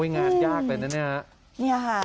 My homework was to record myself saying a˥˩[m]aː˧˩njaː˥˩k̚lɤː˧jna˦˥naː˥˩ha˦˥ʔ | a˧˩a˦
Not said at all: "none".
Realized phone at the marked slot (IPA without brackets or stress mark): ŋ